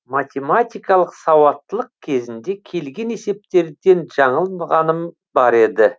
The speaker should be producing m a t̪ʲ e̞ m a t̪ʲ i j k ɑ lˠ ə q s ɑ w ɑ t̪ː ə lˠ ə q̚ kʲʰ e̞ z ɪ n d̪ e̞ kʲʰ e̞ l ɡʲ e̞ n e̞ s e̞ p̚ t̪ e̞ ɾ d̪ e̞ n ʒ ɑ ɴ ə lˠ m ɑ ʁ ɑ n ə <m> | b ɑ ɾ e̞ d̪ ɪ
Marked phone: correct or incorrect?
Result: correct